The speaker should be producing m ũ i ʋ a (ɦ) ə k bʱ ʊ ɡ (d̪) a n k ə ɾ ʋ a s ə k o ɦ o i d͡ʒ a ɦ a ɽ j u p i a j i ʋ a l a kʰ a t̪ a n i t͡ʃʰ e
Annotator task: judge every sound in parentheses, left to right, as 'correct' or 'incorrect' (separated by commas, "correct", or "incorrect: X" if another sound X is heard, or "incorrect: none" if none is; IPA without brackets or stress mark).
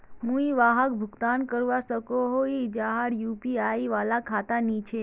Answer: correct, incorrect: t̪